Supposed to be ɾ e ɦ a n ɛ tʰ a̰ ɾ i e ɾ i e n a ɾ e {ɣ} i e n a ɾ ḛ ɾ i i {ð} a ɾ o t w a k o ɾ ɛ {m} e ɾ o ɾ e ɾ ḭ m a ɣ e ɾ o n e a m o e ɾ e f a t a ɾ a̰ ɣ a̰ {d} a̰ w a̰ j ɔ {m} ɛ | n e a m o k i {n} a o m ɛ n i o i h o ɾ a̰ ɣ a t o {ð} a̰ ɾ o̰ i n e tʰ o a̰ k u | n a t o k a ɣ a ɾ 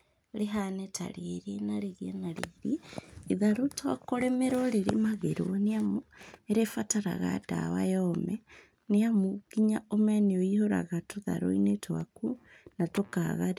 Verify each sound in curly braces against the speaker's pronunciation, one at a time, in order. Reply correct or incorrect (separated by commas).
correct, correct, correct, correct, correct, incorrect, correct